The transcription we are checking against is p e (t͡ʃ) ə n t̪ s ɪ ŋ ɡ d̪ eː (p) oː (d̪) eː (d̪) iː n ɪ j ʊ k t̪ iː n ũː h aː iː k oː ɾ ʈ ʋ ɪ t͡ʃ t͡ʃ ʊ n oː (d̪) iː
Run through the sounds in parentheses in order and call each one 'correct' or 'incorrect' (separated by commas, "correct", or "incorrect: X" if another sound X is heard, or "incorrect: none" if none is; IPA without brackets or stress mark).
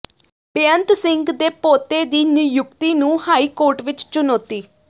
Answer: incorrect: none, correct, incorrect: t̪, correct, incorrect: t̪